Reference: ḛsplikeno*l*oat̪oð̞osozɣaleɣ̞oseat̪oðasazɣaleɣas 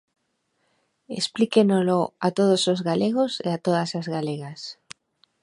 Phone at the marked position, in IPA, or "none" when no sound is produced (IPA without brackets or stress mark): l